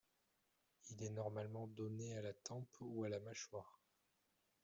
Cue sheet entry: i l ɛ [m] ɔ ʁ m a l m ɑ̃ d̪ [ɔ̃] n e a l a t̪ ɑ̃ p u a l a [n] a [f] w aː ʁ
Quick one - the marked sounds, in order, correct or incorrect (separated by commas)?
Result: incorrect, incorrect, incorrect, incorrect